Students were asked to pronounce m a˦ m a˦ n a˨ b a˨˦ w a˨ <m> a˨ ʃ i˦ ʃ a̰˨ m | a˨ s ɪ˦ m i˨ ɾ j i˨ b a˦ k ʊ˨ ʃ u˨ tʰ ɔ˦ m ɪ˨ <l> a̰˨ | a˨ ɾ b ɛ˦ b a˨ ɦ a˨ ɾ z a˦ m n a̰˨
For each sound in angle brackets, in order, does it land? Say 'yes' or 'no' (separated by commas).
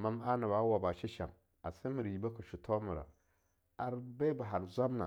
no, no